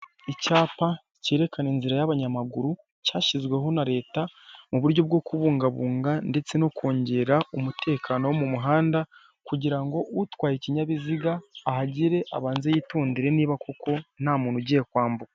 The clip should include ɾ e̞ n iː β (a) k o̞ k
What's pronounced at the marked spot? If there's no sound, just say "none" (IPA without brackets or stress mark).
a